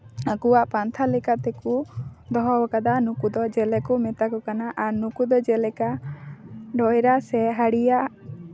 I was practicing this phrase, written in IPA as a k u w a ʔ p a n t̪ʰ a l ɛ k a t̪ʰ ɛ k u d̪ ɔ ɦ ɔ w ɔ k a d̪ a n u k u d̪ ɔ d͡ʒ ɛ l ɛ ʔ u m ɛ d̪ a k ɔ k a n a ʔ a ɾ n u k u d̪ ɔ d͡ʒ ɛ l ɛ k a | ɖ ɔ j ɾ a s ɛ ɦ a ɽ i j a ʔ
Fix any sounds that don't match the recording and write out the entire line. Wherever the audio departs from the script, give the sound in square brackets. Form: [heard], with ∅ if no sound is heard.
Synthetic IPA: a k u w a ʔ p a n t̪ʰ a l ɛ k a [t̪] ɛ k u d̪ ɔ ɦ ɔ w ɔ k a d̪ a n u k u d̪ ɔ d͡ʒ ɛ l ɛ [k] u m ɛ [t̪] a k ɔ k a n a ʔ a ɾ n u k u d̪ ɔ d͡ʒ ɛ l ɛ k a | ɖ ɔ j ɾ a s ɛ ɦ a ɽ i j a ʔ